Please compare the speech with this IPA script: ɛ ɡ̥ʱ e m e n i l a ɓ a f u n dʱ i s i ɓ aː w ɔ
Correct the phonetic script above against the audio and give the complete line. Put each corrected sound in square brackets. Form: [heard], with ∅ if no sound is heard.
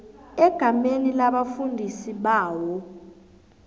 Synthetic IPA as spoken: ɛ ɡ̥ʱ [a] m e n i l a ɓ a f u n dʱ i s i ɓ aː w ɔ